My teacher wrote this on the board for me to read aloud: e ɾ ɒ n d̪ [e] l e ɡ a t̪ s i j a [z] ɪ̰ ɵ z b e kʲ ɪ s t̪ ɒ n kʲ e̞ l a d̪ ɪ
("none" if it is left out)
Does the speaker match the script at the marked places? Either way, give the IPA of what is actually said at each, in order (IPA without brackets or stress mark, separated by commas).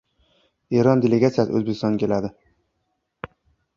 e, s